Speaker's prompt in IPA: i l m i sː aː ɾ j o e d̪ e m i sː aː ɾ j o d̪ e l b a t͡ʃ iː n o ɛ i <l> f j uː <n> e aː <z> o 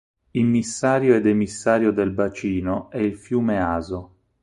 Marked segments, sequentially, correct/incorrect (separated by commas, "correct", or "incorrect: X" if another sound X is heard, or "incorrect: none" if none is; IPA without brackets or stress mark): correct, incorrect: m, correct